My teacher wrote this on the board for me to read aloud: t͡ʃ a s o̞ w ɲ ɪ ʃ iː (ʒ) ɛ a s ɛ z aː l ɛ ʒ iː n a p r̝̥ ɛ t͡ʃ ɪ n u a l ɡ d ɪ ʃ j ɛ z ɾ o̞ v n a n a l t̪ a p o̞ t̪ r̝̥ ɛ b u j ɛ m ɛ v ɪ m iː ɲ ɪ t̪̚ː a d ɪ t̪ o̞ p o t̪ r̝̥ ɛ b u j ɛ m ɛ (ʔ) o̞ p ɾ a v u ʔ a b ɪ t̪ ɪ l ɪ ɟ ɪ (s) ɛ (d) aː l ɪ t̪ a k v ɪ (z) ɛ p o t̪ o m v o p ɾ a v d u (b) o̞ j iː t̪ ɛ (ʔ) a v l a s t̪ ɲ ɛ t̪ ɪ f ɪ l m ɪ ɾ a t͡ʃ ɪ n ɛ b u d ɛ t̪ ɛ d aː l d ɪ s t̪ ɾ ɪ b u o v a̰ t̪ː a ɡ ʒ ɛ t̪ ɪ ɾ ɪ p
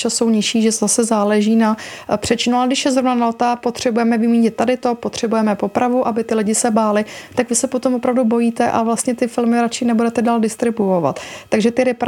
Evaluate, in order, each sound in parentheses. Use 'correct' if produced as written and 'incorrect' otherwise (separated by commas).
correct, incorrect, correct, incorrect, incorrect, correct, correct